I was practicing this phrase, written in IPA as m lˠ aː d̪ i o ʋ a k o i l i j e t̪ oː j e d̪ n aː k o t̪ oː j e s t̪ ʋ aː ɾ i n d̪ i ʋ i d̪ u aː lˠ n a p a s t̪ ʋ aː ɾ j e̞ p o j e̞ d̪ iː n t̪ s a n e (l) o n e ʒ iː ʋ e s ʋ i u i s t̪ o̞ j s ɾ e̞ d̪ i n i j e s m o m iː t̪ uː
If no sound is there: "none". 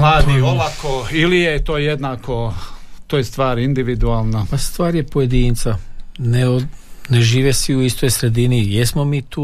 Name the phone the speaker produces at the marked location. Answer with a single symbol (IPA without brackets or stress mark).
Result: none